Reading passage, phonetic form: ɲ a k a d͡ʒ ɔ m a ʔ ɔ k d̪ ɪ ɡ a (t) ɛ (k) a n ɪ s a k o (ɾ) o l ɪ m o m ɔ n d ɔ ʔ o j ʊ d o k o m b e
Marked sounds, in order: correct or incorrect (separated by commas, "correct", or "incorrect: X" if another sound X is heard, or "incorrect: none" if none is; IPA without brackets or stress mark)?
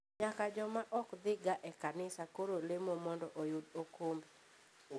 incorrect: ʔ, correct, correct